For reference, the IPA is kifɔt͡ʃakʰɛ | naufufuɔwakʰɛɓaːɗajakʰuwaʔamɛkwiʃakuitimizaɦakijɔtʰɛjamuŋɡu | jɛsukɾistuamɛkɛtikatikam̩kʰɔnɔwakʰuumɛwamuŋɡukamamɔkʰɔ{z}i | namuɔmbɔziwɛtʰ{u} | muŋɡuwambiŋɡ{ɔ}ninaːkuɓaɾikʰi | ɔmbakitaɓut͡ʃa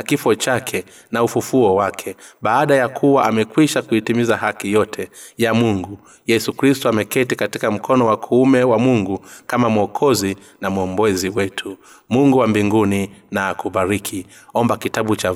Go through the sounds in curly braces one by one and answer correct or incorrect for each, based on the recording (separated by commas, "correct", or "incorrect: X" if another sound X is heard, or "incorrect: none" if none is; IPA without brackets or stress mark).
correct, correct, incorrect: u